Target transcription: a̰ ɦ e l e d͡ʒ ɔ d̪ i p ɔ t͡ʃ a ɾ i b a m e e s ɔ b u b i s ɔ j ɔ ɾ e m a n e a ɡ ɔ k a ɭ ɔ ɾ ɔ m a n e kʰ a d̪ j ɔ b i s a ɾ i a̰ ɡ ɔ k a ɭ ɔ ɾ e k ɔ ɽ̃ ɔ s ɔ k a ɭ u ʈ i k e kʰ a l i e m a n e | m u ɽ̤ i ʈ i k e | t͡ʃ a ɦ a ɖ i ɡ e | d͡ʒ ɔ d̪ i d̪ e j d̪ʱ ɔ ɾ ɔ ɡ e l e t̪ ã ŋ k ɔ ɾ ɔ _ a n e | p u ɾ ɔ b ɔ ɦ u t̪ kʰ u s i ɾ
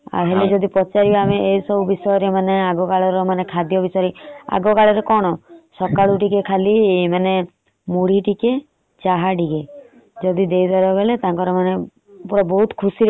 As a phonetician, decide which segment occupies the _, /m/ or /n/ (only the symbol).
m